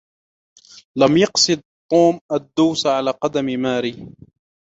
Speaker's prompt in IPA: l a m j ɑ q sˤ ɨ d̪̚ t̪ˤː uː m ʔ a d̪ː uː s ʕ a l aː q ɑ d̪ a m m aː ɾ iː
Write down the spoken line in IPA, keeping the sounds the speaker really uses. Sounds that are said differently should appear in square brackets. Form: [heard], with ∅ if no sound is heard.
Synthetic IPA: l a m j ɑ q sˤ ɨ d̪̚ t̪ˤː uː m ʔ a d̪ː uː s ʕ a l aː q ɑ d̪ a m m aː ɾ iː